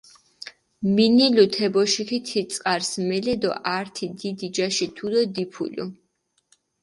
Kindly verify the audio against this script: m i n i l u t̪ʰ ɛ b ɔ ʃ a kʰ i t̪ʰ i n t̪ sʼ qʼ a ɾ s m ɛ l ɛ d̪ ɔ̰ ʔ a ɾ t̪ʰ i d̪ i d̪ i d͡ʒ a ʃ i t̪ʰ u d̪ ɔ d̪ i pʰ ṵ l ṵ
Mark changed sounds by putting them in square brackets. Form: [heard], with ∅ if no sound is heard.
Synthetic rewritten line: m i n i l u t̪ʰ ɛ b ɔ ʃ [i] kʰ i t̪ʰ i [∅] t̪ sʼ qʼ a ɾ s m ɛ l ɛ d̪ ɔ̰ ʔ a ɾ t̪ʰ i d̪ i d̪ i d͡ʒ a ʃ i t̪ʰ u d̪ ɔ d̪ i pʰ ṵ l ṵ

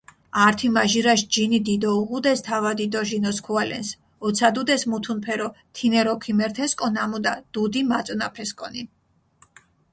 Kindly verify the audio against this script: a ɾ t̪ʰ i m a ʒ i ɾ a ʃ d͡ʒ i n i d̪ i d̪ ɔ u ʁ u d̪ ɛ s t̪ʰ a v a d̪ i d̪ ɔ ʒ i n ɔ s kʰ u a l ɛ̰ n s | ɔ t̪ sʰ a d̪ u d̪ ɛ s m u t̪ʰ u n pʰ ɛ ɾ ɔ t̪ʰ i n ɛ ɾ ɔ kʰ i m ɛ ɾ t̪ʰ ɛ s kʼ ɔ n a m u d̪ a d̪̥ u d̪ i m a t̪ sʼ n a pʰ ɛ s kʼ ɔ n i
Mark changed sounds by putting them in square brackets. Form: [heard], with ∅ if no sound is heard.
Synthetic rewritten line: a ɾ t̪ʰ i m a ʒ i ɾ a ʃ d͡ʒ i n i d̪ i d̪ ɔ u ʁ u d̪ ɛ s t̪ʰ a v a d̪ i d̪ ɔ ʒ i n ɔ s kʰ u a l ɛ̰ n s | ɔ t̪ sʰ a d̪ u d̪ ɛ s m u t̪ʰ u n pʰ ɛ ɾ ɔ t̪ʰ i n ɛ ɾ ɔ kʰ i m ɛ ɾ t̪ʰ ɛ s kʼ ɔ n a m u d̪ a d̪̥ u d̪ i m a t̪ sʼ n a pʰ ɛ s kʼ ɔ n i

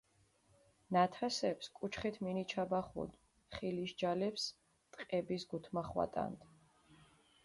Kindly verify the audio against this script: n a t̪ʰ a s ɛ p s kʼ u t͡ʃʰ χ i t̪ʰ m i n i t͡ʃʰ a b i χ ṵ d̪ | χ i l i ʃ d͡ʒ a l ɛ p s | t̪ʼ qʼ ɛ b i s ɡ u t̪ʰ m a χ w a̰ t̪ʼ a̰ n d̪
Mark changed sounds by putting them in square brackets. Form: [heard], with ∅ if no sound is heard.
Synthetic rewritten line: n a t̪ʰ a s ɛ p s kʼ u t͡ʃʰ χ i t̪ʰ m i n i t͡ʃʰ a b [a] χ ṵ d̪ | χ i l i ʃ d͡ʒ a l ɛ p s | t̪ʼ qʼ ɛ b i s ɡ u t̪ʰ m a χ w a̰ t̪ʼ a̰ n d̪

